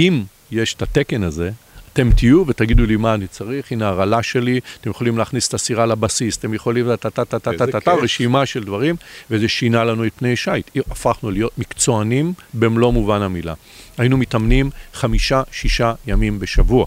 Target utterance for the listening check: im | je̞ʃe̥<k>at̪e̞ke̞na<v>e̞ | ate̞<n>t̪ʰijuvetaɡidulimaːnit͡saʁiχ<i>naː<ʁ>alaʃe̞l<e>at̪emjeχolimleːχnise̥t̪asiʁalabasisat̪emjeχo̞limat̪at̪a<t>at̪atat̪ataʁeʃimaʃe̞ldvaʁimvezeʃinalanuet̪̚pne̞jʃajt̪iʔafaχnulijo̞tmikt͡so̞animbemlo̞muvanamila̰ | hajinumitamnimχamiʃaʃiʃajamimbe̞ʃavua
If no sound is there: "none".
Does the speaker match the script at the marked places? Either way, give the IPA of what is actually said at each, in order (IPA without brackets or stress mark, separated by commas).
t, z, m, i, ʁ, i, t